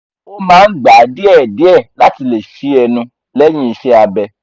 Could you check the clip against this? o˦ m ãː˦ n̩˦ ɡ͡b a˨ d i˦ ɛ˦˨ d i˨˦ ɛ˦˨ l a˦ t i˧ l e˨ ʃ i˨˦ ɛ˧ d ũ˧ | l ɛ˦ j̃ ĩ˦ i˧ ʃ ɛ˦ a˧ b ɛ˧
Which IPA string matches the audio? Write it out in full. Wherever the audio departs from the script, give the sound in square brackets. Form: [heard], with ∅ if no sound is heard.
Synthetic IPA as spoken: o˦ m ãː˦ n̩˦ ɡ͡b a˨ d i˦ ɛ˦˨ d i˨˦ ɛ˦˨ l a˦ t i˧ l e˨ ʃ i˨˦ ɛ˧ [n] ũ˧ | l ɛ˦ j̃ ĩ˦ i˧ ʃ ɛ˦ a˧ b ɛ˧